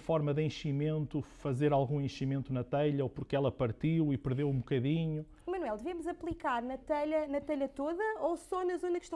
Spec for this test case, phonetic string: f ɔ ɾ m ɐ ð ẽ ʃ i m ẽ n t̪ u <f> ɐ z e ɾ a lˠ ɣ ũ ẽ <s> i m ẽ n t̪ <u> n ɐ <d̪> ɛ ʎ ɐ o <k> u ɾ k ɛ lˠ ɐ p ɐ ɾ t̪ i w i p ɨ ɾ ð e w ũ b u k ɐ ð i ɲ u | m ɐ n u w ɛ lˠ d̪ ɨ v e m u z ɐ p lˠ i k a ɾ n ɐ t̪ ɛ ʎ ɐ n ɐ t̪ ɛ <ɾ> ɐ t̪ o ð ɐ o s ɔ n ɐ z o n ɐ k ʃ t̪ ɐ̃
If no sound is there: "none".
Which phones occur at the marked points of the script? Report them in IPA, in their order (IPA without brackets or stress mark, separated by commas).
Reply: f, ʃ, u, t̪, p, ʎ